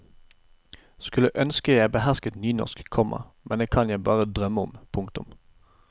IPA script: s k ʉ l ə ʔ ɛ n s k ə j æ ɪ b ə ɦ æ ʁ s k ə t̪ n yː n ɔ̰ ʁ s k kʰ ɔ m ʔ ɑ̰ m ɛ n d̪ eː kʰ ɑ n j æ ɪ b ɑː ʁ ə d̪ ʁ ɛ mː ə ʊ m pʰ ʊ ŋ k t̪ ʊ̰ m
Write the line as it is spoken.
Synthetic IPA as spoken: s k ʉ l ə ʔ œ n s k ə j æ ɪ b ə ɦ æ ʁ s k ə t̪ n yː n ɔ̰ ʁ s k kʰ ɔ m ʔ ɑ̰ m ɛ n d̪ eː kʰ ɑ n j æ ɪ b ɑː ʁ ə d̪ ʁ œ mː ə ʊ m pʰ ʊ ŋ k t̪ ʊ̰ m